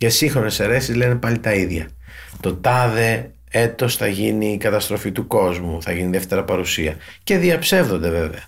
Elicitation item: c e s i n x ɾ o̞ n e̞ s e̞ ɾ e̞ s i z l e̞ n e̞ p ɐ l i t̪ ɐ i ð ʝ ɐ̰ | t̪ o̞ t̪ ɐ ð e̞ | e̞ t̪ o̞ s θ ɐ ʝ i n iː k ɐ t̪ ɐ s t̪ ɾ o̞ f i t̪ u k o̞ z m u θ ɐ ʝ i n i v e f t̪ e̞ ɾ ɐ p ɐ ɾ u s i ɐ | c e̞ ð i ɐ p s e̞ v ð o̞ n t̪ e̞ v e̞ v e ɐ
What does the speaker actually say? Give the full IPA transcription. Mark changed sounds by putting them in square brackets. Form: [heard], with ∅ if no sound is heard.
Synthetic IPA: c e s i [ŋ] x ɾ o̞ n e̞ s e̞ ɾ e̞ s i z l e̞ n e̞ p ɐ l i t̪ ɐ i ð ʝ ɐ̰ | t̪ o̞ t̪ ɐ ð e̞ | e̞ t̪ o̞ s θ ɐ ʝ i n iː k ɐ t̪ ɐ s t̪ ɾ o̞ f i t̪ u k o̞ z m u θ ɐ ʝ i n i [ð] e f t̪ e̞ ɾ ɐ p ɐ ɾ u s i ɐ | c e̞ ð i ɐ p s e̞ v ð o̞ n [d̪] e̞ v e̞ v e ɐ